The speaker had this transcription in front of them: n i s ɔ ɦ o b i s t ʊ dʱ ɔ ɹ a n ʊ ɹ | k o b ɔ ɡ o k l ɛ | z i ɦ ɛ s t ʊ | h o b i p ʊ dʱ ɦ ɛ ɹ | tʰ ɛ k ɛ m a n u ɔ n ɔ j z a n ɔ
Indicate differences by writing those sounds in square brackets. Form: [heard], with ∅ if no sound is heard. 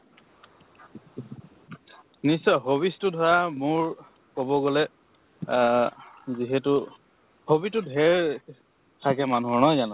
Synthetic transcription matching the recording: n i s ɔ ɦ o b i s t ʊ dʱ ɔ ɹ a [m] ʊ ɹ | k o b ɔ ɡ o [∅] l ɛ | z i ɦ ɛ [∅] t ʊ | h o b i [t] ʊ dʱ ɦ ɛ ɹ | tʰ [a] k ɛ m a n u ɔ n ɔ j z a n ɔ